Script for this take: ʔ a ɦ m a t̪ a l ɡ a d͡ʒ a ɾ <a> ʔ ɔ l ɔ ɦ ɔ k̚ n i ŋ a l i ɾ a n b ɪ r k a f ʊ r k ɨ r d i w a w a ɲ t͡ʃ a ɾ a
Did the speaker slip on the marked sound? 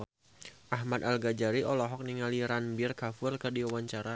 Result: yes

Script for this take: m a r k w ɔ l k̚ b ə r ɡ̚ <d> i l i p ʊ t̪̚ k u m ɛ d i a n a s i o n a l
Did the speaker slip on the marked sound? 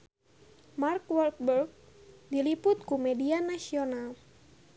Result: no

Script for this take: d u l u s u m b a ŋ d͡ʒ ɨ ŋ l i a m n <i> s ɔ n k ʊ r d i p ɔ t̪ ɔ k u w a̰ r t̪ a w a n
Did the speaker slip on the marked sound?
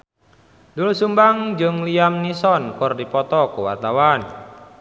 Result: no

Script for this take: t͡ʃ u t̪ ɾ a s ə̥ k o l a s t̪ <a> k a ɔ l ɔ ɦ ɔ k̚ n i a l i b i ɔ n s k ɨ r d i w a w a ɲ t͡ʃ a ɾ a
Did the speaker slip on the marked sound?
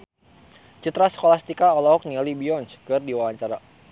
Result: yes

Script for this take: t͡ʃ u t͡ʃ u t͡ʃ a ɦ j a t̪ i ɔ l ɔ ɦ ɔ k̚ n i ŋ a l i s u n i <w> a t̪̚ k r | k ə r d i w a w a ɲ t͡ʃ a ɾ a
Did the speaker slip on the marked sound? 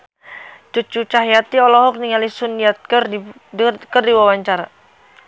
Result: yes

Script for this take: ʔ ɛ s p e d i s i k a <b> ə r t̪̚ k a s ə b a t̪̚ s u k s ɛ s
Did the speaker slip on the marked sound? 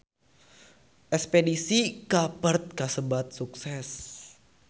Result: yes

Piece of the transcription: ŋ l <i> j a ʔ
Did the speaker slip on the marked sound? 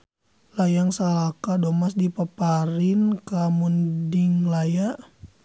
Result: yes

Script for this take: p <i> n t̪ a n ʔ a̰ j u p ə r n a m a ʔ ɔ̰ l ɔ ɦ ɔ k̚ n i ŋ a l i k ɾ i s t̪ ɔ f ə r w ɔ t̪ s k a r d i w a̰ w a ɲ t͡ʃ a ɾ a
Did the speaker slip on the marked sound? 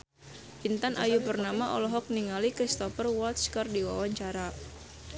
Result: no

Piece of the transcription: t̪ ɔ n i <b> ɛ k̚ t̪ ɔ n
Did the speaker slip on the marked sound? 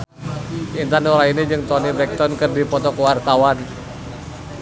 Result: no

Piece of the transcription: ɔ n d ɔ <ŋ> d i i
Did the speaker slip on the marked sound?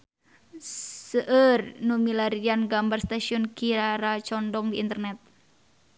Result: no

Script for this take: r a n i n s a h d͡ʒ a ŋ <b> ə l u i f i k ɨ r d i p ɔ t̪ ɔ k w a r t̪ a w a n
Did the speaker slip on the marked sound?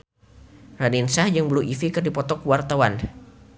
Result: no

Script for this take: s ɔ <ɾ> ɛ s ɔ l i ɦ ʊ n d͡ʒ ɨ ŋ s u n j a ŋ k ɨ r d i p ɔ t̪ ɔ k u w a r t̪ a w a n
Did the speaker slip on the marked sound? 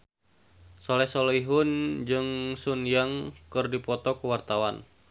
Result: yes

